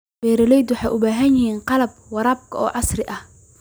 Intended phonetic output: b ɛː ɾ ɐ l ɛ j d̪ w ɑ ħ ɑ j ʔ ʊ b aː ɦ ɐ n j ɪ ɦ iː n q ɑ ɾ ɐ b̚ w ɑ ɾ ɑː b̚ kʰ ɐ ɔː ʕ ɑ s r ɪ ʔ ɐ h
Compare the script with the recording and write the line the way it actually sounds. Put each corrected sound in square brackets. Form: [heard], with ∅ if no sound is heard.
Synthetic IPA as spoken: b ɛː ɾ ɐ l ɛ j d̪ w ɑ ħ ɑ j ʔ ʊ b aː ɦ ɐ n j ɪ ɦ iː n q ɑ [l] ɐ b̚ w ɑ ɾ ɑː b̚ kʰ ɐ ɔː ʕ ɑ s r ɪ ʔ ɐ h